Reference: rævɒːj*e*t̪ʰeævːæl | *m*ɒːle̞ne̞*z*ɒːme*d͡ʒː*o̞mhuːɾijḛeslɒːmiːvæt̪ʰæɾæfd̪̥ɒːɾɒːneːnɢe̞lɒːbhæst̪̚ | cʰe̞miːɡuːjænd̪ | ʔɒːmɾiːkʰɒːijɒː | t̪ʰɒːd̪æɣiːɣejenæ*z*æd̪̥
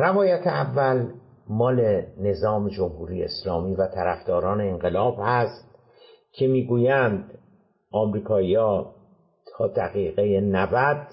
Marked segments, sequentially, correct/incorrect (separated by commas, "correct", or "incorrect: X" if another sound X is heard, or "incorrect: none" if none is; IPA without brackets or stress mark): incorrect: æ, correct, correct, incorrect: d͡ʒ, incorrect: v